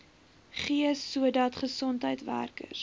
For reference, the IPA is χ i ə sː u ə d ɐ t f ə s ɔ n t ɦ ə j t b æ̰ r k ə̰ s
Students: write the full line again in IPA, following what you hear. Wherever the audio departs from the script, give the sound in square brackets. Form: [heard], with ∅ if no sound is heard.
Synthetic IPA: χ i ə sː u ə d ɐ t [χ] ə s ɔ n t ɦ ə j t [v] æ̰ r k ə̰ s